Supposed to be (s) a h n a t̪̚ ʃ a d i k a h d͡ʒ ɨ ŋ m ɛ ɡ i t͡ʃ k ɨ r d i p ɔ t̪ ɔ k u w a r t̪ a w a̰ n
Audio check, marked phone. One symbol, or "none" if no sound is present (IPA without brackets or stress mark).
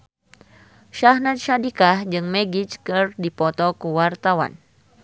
ʃ